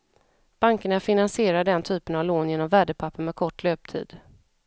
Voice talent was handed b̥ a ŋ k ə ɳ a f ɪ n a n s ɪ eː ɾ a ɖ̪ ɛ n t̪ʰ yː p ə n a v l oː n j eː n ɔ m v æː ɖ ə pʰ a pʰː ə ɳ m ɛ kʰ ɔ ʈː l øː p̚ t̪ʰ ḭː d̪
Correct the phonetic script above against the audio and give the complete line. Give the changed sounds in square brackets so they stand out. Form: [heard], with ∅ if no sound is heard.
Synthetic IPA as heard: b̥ a ŋ k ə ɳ a f ɪ n a n s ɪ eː ɾ a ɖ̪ ɛ n t̪ʰ yː p ə n a v l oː n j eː n ɔ m v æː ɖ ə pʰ a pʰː ə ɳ m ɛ kʰ ɔ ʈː l øː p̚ t̪ʰ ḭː d̪